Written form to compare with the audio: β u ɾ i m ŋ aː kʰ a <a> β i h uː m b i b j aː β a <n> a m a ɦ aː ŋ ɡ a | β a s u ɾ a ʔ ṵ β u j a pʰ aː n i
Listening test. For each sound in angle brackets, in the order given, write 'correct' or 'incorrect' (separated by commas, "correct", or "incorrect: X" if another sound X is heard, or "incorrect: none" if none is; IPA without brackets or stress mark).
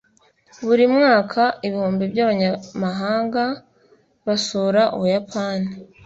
incorrect: i, incorrect: ɲ